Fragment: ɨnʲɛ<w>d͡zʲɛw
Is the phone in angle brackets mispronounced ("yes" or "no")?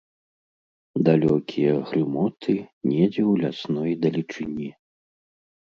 yes